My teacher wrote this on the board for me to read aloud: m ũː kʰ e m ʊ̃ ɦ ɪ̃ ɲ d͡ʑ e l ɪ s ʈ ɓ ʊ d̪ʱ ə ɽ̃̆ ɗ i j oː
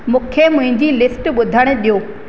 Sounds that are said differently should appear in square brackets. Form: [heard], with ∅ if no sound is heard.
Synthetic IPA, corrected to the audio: m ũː kʰ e m ʊ̃ ɦ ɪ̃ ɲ d͡ʑ [i] l ɪ s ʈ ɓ ʊ d̪ʱ ə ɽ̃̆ ɗ i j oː